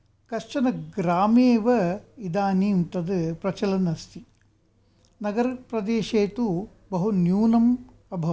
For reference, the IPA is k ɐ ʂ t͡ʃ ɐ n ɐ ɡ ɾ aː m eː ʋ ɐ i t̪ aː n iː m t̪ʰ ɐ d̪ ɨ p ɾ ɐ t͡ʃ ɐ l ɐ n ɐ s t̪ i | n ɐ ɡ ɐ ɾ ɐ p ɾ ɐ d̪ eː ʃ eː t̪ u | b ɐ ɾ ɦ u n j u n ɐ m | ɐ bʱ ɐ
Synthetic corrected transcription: k ɐ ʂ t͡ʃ ɐ n ɐ ɡ ɾ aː m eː ʋ ɐ i d̪ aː n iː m t̪ ɐ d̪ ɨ p ɾ ɐ t͡ʃ ɐ l ɐ n ɐ s t̪ i | n ɐ ɡ ɐ ɾ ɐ p ɾ ɐ d̪ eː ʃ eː t̪ u | b ɐ ɦ u n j uː n ɐ m | ɐ bʱ ɐ